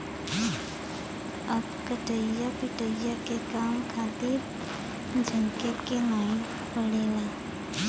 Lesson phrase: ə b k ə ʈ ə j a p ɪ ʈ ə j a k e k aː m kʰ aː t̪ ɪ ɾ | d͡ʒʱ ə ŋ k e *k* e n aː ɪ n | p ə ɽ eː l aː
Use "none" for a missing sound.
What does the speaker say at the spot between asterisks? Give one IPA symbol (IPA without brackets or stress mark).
k